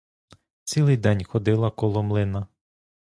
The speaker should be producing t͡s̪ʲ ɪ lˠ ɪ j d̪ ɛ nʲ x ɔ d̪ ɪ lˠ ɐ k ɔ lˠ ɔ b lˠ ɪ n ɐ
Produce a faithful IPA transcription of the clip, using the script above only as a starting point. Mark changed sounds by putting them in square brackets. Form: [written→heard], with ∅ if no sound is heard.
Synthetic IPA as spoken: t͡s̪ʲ [ɪ→i] lˠ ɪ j d̪ ɛ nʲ x ɔ d̪ ɪ lˠ ɐ k ɔ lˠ ɔ [b→m] lˠ ɪ n ɐ